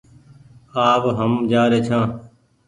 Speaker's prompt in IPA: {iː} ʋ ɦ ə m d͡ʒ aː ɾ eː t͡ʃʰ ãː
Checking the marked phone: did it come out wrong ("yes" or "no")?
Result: yes